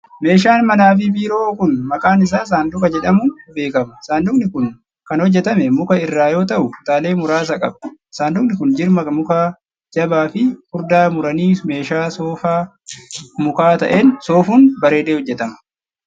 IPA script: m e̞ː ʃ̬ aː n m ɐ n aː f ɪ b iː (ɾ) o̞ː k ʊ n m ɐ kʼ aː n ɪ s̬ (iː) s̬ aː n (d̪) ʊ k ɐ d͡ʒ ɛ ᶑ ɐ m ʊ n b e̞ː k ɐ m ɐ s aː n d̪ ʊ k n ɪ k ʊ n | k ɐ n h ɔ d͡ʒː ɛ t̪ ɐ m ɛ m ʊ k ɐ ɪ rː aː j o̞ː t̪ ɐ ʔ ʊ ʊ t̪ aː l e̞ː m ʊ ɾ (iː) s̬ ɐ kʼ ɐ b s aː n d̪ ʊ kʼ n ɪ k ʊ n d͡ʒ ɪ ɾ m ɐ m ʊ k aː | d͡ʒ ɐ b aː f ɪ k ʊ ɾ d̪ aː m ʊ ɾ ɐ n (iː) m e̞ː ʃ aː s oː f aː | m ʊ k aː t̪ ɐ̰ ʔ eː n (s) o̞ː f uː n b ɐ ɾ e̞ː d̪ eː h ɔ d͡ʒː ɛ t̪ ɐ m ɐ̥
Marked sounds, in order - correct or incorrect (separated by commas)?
correct, incorrect, correct, incorrect, correct, correct